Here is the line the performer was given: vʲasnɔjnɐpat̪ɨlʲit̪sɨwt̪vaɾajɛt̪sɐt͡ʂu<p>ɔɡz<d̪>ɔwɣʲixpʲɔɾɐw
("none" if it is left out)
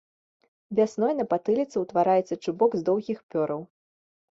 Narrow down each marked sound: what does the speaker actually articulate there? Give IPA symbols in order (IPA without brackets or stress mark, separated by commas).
b, d̪